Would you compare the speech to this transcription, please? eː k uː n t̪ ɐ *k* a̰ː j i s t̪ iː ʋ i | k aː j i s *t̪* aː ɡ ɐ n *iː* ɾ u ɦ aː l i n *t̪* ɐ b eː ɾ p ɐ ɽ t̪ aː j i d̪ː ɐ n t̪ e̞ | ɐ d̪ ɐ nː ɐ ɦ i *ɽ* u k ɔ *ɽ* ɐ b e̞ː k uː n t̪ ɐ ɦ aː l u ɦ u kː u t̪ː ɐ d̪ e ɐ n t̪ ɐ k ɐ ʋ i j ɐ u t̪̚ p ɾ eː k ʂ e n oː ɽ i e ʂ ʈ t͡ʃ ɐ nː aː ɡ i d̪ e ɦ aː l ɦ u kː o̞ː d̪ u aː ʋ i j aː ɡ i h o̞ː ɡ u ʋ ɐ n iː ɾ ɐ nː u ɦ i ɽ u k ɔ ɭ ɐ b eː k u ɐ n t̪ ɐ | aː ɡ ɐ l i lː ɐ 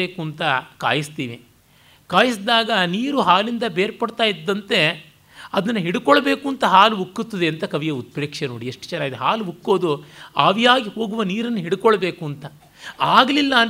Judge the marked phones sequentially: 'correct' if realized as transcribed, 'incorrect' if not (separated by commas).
correct, incorrect, correct, incorrect, correct, incorrect